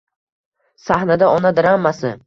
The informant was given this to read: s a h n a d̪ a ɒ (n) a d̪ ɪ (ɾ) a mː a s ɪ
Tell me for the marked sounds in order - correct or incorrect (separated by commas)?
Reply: correct, correct